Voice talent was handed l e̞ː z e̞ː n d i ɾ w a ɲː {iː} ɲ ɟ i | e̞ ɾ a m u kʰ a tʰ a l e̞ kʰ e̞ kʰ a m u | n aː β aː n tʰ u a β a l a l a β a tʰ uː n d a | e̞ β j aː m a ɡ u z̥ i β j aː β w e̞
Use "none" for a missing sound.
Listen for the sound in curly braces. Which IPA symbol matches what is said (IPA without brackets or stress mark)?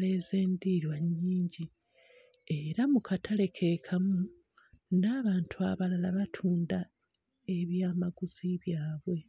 iː